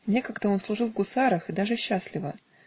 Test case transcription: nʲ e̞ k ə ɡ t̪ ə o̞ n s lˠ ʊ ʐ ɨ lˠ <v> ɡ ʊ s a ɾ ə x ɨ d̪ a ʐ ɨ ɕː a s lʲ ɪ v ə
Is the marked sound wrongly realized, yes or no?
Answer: no